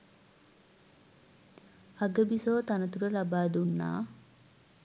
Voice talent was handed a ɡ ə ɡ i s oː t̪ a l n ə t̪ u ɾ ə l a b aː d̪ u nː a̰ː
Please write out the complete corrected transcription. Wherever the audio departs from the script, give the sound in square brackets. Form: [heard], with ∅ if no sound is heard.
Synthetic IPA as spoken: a ɡ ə [b] i s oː t̪ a [∅] n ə t̪ u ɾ ə l a b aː d̪ u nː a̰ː